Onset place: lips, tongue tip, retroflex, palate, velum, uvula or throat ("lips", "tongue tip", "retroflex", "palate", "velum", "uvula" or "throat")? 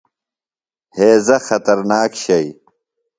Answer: throat